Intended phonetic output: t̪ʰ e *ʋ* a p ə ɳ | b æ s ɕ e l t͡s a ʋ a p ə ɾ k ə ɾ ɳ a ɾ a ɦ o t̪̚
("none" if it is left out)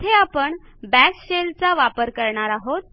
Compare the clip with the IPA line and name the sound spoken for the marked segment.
none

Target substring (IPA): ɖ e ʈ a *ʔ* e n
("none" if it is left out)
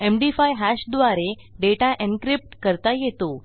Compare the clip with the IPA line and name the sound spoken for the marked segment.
ʔ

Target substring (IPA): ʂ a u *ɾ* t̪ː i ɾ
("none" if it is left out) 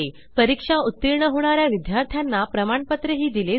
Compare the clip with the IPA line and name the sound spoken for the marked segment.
none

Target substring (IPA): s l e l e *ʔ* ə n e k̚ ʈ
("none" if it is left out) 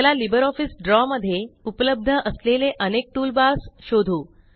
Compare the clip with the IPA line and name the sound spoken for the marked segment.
ʔ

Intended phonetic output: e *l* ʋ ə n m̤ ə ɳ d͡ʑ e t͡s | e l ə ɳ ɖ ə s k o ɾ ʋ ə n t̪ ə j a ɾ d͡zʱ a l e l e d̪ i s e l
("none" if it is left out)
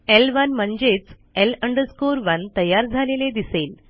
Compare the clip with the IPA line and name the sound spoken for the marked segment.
l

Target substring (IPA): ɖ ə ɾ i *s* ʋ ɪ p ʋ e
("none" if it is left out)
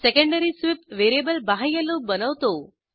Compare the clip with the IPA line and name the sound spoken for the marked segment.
s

